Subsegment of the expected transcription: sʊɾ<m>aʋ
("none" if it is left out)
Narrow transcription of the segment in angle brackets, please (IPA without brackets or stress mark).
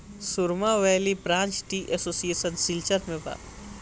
m